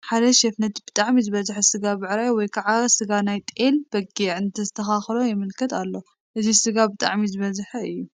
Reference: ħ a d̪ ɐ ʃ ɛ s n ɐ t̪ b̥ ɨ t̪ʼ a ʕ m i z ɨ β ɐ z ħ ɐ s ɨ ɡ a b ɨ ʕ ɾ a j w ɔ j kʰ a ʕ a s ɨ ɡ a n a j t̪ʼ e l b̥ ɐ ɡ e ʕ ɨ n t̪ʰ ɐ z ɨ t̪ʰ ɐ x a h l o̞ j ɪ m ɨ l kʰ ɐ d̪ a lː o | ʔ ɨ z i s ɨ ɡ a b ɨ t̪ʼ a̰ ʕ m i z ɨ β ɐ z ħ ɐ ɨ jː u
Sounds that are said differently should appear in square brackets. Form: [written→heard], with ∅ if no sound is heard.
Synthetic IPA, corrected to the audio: ħ a d̪ ɐ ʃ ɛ [s→f] n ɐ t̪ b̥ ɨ t̪ʼ a ʕ m i z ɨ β ɐ z ħ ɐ s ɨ ɡ a b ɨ ʕ ɾ a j w ɔ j kʰ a ʕ a s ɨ ɡ a n a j t̪ʼ e l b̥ ɐ ɡ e ʕ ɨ n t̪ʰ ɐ z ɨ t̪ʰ ɐ x a [h→x] l o̞ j ɪ m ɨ l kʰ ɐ [d̪→t̪] a lː o | ʔ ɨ z i s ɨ ɡ a b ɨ t̪ʼ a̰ ʕ m i z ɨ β ɐ z ħ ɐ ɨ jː u